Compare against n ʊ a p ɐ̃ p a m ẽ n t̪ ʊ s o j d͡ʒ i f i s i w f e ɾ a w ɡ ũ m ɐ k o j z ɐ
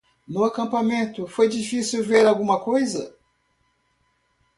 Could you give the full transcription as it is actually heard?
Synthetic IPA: n ʊ a k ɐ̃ p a m ẽ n t̪ ʊ f o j d͡ʒ i f i s i w v e ɾ a w ɡ ũ m ɐ k o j z ɐ